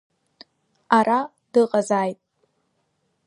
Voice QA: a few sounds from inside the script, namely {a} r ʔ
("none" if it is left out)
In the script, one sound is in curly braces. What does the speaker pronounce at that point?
a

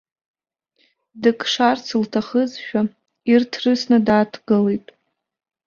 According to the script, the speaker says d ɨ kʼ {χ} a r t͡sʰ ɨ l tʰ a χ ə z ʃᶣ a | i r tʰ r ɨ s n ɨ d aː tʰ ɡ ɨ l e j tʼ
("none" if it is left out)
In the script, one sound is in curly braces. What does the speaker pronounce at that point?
ʂ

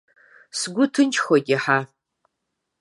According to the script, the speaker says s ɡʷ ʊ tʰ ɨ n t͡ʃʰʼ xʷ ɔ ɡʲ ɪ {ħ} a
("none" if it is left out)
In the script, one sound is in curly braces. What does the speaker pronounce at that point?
ħ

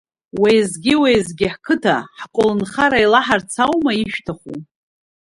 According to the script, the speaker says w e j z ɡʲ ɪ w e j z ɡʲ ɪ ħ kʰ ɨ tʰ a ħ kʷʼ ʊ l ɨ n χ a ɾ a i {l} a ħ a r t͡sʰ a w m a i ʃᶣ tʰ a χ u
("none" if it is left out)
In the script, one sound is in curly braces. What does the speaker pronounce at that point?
l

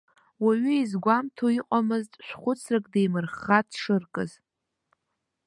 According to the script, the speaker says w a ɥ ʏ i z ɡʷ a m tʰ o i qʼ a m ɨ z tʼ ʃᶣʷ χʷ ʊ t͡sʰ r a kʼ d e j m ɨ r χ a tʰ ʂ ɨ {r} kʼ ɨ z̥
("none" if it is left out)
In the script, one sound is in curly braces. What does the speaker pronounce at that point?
r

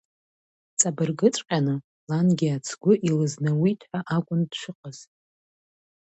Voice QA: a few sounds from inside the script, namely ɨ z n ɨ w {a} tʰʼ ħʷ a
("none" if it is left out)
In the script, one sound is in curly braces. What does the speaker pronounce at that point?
i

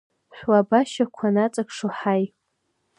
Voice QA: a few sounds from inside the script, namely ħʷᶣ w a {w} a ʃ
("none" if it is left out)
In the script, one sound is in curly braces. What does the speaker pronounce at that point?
b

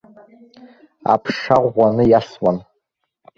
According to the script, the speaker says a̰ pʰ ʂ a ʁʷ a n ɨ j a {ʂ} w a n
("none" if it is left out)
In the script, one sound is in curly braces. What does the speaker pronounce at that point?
s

